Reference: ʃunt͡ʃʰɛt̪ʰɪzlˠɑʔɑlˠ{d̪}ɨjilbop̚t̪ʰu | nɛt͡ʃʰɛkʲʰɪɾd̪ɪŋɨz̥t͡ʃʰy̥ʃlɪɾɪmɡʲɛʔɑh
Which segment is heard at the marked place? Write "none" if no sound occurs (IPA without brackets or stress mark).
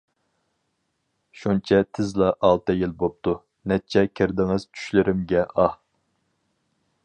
t̪